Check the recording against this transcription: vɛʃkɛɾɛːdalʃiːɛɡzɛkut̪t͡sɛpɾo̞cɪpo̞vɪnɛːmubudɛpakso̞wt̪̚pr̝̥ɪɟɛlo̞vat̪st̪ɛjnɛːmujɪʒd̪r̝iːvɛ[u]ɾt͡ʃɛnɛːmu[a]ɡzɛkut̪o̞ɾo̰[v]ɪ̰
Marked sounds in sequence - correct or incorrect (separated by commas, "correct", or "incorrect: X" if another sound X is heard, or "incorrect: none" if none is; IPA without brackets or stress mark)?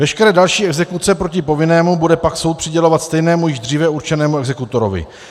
correct, incorrect: ɛ, correct